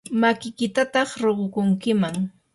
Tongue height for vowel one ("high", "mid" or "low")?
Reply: low